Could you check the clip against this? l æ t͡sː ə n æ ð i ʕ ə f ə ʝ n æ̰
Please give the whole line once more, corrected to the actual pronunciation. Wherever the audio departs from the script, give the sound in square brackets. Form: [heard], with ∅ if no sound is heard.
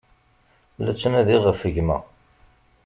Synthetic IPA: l æ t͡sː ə n æ ð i [ʁ] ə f ə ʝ [m] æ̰